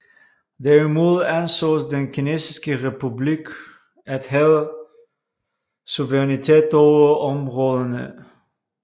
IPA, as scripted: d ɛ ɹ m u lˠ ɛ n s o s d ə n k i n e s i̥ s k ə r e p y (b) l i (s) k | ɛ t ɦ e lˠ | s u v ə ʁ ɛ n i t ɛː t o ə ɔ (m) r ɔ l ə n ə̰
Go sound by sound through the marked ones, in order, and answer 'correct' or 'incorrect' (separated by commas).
correct, incorrect, correct